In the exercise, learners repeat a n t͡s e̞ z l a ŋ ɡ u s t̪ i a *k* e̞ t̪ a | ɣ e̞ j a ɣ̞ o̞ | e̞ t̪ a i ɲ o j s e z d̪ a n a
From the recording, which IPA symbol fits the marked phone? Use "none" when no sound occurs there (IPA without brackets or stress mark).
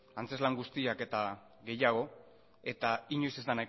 k